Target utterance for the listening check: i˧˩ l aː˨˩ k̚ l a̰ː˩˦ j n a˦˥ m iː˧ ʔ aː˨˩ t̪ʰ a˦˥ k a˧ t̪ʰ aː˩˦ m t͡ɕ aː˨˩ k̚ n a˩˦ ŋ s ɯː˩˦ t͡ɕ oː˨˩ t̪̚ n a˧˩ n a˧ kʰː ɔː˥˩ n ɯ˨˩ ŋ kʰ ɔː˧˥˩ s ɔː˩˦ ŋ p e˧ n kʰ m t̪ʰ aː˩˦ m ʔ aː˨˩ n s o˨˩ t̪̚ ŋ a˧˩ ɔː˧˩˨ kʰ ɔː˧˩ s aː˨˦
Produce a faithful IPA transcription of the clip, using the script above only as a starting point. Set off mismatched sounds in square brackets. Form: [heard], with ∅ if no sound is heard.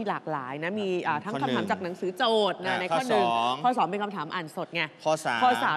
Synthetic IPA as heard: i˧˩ l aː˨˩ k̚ l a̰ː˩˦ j n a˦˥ m iː˧ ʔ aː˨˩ t̪ʰ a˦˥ k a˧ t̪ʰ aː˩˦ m t͡ɕ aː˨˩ k̚ n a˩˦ ŋ s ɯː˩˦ t͡ɕ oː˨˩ t̪̚ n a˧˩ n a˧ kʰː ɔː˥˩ n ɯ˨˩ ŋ kʰ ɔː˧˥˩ s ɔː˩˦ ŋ p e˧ n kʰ m t̪ʰ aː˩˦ m ʔ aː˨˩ n s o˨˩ t̪̚ ŋ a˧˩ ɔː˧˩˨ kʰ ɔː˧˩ s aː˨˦